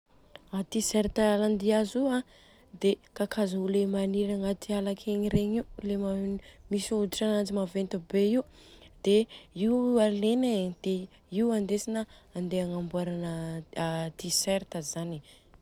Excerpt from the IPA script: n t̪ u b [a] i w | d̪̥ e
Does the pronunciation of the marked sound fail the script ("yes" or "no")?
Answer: yes